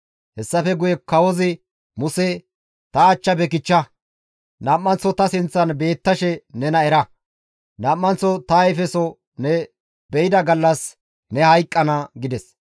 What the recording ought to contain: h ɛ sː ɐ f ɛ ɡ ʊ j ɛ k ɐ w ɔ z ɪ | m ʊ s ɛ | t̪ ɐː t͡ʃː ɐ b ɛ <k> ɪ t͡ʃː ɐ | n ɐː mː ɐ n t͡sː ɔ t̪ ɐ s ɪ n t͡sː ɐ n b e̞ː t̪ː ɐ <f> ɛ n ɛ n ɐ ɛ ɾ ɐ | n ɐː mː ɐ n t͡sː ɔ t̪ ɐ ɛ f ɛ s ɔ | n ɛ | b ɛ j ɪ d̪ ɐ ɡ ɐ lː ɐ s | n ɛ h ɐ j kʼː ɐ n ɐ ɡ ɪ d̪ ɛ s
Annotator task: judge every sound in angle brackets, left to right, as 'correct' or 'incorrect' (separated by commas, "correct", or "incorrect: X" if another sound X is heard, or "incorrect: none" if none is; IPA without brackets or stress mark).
correct, incorrect: ʃ